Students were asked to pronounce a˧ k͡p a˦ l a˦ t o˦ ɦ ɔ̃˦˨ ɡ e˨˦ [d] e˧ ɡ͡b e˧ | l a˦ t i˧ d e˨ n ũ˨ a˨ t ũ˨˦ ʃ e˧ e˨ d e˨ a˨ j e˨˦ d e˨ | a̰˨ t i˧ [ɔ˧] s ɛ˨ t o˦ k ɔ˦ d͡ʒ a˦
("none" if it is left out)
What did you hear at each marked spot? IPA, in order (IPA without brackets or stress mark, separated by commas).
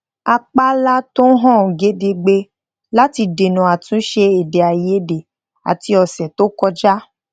d, ɔ˧